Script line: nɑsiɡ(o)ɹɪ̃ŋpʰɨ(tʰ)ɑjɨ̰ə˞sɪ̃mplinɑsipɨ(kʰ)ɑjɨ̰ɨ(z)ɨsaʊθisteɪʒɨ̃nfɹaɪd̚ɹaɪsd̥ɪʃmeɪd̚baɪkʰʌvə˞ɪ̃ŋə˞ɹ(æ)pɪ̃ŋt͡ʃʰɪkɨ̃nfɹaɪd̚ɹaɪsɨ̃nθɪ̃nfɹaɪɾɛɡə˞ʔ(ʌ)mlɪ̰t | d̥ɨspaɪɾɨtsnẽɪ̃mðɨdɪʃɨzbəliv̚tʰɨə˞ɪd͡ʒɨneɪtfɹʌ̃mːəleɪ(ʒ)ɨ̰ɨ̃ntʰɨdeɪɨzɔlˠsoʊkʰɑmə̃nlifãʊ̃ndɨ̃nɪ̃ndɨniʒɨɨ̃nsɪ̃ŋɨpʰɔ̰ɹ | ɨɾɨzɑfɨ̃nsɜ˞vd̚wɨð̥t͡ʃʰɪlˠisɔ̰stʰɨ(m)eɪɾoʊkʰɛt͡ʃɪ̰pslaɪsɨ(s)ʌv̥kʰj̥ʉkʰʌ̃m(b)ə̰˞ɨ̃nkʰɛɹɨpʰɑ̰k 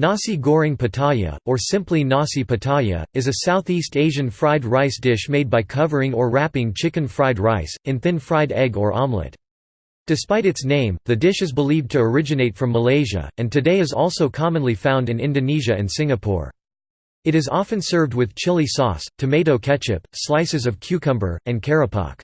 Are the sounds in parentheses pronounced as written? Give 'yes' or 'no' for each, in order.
no, yes, no, yes, yes, no, yes, yes, no, yes

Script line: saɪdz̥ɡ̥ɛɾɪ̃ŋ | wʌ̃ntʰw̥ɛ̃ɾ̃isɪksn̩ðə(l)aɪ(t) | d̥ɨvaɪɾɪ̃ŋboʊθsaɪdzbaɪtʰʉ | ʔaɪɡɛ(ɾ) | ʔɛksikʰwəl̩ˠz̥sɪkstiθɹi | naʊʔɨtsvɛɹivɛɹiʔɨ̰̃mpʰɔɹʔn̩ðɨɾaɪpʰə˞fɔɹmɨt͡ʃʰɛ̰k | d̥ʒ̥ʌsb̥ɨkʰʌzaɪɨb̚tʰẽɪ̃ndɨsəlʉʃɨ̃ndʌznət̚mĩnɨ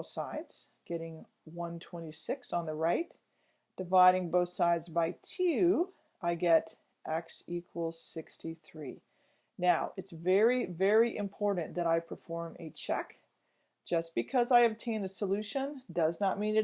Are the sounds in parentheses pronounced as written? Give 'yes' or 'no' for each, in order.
no, yes, yes

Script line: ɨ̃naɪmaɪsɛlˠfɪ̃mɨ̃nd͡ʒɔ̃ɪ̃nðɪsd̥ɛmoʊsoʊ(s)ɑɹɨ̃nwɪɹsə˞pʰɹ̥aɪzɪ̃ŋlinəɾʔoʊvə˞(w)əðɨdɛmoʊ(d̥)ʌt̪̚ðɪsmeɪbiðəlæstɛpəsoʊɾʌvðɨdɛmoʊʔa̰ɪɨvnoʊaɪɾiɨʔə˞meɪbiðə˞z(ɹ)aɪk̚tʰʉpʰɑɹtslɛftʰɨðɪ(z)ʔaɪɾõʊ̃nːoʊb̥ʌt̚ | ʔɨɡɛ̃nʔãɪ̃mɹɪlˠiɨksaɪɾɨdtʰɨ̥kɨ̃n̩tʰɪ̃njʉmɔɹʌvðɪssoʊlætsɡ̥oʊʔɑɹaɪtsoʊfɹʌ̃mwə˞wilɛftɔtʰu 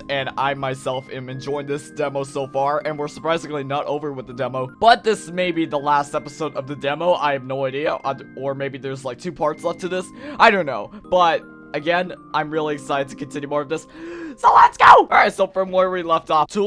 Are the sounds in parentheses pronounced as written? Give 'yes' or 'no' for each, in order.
no, yes, no, no, no

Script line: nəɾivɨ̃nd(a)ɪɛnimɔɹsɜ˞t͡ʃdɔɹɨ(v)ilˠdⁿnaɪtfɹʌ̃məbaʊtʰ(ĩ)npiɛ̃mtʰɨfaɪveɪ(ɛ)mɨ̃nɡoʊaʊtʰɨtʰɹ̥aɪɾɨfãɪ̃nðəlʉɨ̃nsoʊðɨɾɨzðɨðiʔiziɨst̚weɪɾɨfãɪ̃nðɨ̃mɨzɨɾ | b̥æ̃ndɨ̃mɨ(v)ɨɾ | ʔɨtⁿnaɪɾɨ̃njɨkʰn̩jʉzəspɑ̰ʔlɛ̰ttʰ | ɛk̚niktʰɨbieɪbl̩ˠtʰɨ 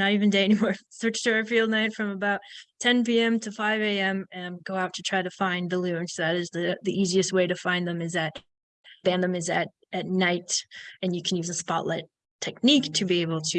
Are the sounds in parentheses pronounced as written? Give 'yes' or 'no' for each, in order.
no, no, no, no, no

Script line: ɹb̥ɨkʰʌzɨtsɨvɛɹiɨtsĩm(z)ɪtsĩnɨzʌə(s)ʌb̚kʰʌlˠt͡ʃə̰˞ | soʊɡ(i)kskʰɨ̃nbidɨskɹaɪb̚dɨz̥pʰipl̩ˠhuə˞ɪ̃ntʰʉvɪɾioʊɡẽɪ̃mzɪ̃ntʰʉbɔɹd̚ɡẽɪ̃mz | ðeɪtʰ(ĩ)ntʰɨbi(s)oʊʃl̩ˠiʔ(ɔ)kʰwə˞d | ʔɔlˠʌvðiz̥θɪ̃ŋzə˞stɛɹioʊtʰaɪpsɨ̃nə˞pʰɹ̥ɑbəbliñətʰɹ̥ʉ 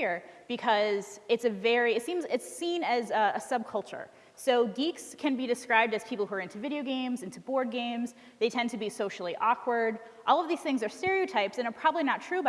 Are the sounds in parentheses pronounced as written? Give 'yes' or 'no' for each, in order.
yes, yes, yes, no, yes, yes

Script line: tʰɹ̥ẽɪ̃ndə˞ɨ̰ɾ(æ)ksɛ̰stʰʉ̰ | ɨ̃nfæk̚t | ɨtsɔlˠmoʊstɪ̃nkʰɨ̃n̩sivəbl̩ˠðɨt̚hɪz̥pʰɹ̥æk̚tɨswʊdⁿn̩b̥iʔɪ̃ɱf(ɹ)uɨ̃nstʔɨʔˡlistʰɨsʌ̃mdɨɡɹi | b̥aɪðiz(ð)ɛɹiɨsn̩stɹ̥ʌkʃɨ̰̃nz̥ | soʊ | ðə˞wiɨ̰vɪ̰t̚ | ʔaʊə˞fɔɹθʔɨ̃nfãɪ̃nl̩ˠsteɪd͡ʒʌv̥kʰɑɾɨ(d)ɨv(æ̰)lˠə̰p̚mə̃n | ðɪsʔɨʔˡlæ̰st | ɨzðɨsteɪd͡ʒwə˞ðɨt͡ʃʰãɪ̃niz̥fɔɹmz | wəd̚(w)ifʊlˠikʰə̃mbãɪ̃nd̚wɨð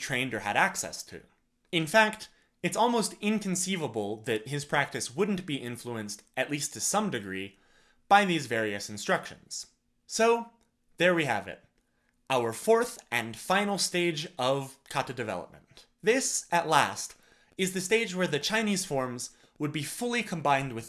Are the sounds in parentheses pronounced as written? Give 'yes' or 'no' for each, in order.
yes, no, no, yes, no, no

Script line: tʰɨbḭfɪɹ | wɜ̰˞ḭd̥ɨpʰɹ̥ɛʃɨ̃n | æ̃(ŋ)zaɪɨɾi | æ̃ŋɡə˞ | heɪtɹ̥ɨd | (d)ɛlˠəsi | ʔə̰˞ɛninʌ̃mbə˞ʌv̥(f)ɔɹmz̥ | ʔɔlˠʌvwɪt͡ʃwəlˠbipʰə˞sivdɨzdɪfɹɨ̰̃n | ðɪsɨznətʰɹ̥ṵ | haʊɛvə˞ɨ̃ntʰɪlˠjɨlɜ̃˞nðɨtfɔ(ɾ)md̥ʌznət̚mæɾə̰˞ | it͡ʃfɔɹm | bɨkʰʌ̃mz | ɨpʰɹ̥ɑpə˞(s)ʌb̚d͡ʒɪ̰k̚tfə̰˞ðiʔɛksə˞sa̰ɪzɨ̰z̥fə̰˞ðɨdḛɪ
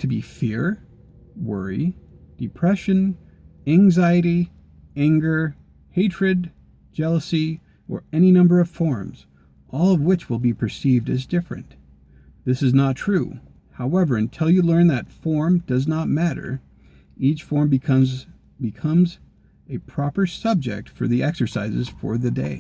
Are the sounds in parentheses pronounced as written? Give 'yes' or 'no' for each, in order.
yes, no, yes, no, yes

